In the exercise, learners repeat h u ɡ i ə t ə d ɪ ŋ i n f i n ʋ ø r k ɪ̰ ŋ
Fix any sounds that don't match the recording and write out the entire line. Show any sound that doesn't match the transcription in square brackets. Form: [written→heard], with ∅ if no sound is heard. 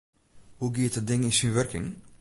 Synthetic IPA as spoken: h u ɡ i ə t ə d ɪ ŋ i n [f→s] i n ʋ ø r k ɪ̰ ŋ